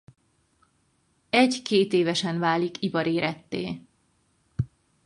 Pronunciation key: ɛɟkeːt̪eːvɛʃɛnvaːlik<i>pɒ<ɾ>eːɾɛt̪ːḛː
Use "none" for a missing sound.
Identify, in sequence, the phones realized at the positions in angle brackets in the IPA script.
i, ɾ

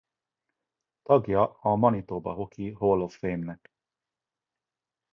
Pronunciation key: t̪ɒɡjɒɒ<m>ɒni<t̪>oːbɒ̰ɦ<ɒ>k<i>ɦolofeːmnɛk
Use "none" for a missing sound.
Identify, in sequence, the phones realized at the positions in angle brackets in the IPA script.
m, t̪, o, i

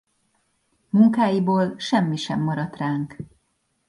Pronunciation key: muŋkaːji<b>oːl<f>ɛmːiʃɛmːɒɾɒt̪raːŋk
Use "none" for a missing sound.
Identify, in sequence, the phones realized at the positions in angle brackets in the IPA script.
b, ʃ

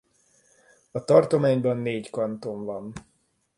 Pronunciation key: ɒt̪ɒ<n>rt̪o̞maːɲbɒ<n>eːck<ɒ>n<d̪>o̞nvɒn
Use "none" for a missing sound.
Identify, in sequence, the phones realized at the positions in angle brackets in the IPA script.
none, nː, ɒ, t̪

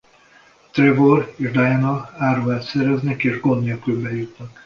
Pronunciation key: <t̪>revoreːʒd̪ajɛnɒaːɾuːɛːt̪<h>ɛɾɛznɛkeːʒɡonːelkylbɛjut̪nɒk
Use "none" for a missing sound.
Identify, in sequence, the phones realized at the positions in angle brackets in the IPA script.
t̪, s

